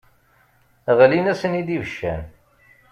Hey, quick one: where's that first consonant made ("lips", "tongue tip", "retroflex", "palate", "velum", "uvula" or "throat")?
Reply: uvula